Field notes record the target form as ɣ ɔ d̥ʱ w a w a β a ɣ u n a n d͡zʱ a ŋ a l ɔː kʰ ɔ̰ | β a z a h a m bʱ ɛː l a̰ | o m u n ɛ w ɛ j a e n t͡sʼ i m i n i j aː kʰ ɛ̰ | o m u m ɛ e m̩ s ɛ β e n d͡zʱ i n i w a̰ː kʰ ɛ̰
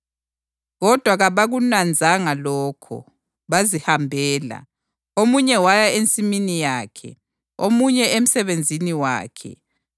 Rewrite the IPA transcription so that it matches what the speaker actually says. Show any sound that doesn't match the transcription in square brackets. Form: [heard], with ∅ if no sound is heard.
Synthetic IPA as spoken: ɣ ɔ d̥ʱ w a [ɣ] a β a ɣ u n a n d͡zʱ a ŋ a l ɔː kʰ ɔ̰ | β a z [i] h a m bʱ ɛː l a̰ | o m u [ɲ] ɛ w [a] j a e n t͡sʼ i m i n i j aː kʰ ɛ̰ | o m u [ɲ] ɛ e m̩ s ɛ β e n d͡zʱ i n i w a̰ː kʰ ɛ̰